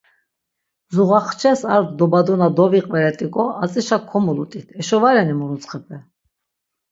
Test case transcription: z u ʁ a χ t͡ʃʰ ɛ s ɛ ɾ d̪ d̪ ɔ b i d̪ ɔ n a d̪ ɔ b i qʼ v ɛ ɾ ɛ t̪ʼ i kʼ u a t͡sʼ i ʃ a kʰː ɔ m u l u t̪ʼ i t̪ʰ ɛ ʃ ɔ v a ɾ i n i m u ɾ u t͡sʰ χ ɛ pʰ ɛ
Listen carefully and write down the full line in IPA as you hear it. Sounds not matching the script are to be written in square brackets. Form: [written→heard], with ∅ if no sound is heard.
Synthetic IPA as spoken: z u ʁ a χ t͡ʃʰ ɛ s [ɛ→a] ɾ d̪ d̪ ɔ b [i→a] d̪ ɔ n a d̪ ɔ [b→v] i qʼ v ɛ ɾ ɛ t̪ʼ i kʼ [u→ɔ] a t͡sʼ i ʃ a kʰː ɔ m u l u t̪ʼ i t̪ʰ ɛ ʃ ɔ v a ɾ [i→ɛ] n i m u ɾ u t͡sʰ χ ɛ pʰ ɛ